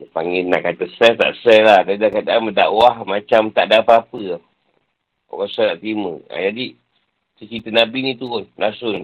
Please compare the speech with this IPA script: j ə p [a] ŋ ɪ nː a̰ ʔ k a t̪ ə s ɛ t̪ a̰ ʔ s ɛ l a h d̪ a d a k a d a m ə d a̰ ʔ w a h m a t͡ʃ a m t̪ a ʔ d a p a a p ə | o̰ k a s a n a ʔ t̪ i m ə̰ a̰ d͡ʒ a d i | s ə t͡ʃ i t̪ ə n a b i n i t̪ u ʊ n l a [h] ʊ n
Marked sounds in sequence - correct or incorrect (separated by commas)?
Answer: correct, incorrect